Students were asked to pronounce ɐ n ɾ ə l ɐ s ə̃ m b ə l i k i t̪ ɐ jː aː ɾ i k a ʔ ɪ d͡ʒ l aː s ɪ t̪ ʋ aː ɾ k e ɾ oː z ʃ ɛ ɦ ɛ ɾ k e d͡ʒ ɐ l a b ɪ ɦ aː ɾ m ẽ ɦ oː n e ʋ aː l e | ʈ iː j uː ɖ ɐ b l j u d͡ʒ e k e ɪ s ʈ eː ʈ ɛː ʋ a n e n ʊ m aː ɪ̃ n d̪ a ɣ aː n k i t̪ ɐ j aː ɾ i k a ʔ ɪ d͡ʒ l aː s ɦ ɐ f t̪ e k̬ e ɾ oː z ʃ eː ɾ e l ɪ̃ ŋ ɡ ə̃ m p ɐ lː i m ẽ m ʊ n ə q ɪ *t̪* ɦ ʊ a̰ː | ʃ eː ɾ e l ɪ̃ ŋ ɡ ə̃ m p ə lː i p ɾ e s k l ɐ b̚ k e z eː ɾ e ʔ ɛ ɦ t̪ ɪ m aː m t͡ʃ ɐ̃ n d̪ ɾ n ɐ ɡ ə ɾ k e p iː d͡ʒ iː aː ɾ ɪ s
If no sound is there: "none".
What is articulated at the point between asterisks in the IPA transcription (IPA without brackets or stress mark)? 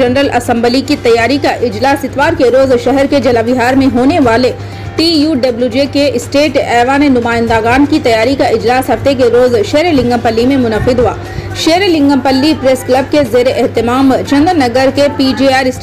d̪